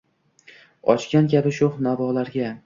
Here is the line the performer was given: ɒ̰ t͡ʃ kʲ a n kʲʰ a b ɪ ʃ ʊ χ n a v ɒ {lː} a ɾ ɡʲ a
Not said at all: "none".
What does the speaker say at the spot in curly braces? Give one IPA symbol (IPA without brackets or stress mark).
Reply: l